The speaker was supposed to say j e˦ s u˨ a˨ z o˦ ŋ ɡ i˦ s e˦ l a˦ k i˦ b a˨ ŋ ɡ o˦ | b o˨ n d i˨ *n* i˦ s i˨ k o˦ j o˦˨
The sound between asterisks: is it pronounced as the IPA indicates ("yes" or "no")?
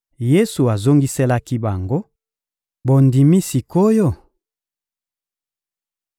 no